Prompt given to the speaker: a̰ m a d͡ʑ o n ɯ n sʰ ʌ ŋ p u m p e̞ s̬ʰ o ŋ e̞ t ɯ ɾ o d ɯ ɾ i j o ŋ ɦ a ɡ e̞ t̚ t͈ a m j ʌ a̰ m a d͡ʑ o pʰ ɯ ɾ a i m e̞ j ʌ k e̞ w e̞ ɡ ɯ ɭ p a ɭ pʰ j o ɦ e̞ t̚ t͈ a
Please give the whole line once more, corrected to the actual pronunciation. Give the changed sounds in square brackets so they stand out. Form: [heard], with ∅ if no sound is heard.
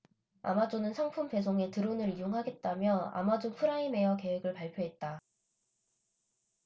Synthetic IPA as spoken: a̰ m a d͡ʑ o n ɯ n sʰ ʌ ŋ [pʰ] u m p e̞ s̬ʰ o ŋ e̞ t ɯ ɾ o [n] ɯ ɾ i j o ŋ ɦ a ɡ e̞ t̚ t͈ a m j ʌ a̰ m a d͡ʑ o pʰ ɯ ɾ a i m e̞ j ʌ k e̞ w e̞ ɡ ɯ ɭ p a ɭ pʰ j o ɦ e̞ t̚ t͈ a

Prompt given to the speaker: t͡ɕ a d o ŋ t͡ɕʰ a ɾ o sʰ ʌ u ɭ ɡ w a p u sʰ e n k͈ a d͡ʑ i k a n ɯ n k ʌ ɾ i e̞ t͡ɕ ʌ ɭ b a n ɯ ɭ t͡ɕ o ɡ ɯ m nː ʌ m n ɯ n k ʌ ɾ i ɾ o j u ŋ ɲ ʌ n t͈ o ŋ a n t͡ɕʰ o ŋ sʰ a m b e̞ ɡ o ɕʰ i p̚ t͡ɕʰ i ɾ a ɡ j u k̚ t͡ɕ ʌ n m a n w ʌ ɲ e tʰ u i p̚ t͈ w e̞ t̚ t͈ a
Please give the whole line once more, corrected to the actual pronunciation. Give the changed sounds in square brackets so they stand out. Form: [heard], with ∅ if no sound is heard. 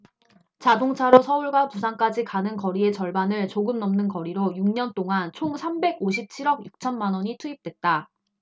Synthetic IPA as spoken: t͡ɕ a d o ŋ t͡ɕʰ a ɾ o sʰ ʌ u ɭ ɡ w a p u sʰ [a] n k͈ a d͡ʑ i k a n ɯ n k ʌ ɾ i e̞ t͡ɕ ʌ ɭ b a n ɯ ɭ t͡ɕ o ɡ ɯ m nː ʌ m n ɯ n k ʌ ɾ i ɾ o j u ŋ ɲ ʌ n t͈ o ŋ a n t͡ɕʰ o ŋ sʰ a m b e̞ ɡ o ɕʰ i p̚ t͡ɕʰ i ɾ [ʌ] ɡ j u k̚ [t͡ɕʰ] ʌ n m a n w ʌ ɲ [i] tʰ u i p̚ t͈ w e̞ t̚ t͈ a

